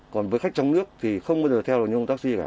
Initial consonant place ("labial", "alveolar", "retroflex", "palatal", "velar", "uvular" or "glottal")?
velar